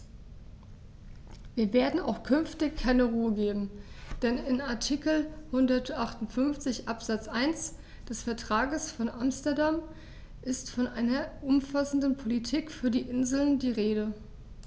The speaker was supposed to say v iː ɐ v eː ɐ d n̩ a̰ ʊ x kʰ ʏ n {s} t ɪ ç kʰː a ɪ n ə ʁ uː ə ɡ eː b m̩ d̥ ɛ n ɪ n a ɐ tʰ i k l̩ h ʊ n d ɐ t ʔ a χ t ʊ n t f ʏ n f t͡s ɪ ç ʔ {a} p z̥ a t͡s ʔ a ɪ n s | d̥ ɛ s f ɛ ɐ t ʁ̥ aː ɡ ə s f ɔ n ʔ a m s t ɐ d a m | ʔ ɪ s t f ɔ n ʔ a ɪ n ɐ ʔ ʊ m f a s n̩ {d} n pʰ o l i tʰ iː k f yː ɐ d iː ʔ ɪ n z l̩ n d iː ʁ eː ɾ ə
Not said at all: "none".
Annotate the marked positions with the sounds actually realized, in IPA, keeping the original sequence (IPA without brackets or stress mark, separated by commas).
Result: f, a, d